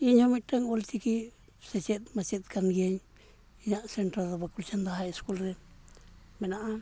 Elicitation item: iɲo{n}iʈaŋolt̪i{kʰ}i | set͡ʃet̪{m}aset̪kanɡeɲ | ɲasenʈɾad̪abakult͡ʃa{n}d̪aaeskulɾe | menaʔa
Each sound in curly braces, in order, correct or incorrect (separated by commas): incorrect, incorrect, correct, correct